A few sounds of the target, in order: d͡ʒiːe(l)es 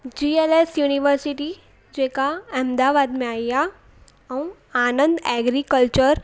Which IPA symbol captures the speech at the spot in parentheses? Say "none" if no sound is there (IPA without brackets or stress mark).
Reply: l